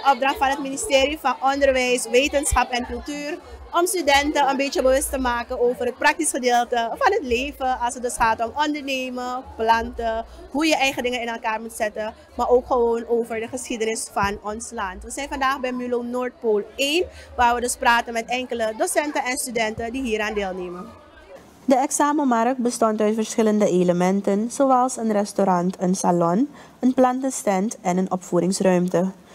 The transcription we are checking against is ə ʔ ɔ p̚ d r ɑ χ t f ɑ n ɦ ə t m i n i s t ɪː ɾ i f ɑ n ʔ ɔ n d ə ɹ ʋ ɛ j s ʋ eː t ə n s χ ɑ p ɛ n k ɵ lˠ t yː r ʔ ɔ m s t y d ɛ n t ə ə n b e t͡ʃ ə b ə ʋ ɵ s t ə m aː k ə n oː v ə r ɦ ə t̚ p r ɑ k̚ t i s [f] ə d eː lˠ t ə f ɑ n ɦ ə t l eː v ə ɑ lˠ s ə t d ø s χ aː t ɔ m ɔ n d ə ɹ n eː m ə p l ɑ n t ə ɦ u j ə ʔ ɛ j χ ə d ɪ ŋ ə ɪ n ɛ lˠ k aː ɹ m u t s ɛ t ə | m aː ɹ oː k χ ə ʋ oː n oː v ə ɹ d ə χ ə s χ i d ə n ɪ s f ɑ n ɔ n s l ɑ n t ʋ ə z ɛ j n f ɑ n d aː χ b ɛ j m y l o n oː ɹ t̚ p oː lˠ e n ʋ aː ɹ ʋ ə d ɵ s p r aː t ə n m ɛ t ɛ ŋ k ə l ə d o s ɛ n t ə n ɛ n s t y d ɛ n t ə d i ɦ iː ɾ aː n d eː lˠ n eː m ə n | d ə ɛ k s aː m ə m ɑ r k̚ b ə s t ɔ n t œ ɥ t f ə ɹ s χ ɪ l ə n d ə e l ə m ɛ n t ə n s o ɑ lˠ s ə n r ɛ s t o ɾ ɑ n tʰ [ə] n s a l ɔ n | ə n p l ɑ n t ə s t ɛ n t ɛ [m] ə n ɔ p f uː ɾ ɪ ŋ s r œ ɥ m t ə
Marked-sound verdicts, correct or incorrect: incorrect: χ, correct, incorrect: n

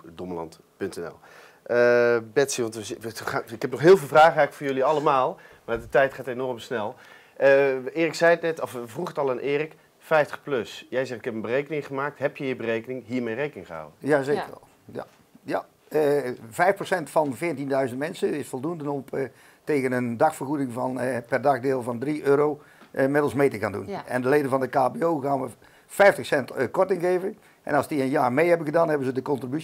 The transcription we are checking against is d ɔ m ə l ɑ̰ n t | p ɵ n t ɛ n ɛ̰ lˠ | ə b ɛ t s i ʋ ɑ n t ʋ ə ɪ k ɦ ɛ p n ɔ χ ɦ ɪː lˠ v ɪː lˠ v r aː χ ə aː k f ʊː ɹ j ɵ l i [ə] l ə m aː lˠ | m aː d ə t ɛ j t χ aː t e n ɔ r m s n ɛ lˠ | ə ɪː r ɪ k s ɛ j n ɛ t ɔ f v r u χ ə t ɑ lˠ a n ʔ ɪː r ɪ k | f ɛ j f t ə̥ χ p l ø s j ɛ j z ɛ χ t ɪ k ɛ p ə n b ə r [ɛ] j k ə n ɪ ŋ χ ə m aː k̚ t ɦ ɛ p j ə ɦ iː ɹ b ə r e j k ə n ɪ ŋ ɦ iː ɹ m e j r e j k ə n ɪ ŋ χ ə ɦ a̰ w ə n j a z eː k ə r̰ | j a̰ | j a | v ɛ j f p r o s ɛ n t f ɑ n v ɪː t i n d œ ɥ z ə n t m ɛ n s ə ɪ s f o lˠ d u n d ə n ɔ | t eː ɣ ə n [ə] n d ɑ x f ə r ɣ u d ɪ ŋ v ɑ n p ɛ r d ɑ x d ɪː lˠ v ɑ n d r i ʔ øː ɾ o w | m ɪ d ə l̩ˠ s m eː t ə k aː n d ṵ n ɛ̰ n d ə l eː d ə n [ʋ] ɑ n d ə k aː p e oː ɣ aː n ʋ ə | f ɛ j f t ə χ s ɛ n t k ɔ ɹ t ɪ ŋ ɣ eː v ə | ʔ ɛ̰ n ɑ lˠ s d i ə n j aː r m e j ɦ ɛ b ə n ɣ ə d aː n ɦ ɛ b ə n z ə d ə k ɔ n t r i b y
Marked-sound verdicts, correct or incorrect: incorrect: ɑ, incorrect: e, correct, incorrect: v

